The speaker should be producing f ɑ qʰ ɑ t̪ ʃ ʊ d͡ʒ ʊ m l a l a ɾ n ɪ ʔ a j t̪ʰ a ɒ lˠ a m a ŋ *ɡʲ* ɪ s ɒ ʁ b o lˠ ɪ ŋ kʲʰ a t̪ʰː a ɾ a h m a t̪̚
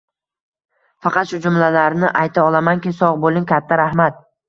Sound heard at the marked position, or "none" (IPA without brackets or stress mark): kʲ